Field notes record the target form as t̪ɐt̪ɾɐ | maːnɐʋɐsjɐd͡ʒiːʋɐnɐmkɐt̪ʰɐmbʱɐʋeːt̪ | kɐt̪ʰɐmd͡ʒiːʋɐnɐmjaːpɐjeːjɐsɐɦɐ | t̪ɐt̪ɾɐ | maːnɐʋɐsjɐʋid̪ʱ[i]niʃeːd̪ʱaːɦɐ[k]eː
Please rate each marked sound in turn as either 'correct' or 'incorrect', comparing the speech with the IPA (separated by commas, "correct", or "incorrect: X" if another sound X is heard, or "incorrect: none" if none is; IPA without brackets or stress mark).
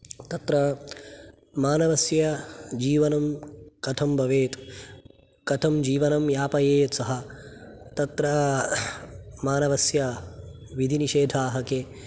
correct, correct